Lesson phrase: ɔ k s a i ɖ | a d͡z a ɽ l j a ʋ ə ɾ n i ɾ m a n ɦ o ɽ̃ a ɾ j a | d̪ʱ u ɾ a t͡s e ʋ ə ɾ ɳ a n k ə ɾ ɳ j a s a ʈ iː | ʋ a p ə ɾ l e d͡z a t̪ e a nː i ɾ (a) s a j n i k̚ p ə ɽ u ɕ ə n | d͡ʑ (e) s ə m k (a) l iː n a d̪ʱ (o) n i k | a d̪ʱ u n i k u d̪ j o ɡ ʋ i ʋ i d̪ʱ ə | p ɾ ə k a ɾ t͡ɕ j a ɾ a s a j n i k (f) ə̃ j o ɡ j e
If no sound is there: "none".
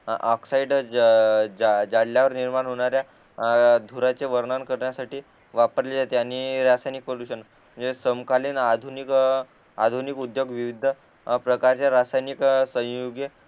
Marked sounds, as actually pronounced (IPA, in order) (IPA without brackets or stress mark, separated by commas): a, e, a, u, s